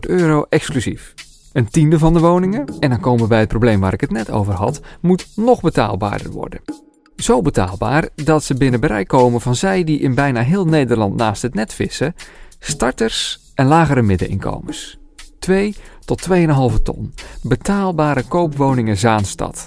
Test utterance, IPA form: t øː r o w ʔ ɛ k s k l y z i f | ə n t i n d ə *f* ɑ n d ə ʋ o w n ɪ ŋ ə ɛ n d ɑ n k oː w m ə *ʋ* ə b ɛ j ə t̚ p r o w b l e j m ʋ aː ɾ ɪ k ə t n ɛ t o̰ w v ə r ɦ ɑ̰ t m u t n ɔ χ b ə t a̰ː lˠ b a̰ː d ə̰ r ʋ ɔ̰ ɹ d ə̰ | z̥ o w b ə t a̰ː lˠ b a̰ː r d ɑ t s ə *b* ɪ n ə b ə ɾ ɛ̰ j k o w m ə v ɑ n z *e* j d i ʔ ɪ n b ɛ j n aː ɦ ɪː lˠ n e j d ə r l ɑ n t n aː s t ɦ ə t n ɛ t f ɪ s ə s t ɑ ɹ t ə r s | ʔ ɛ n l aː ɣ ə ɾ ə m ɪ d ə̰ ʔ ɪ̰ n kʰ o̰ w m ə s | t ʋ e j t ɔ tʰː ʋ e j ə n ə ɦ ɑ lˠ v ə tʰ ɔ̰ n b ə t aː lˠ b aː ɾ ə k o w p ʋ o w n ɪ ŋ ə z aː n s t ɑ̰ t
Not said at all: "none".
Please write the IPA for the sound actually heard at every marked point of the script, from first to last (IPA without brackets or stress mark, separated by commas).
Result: v, ʋ, b, ɛ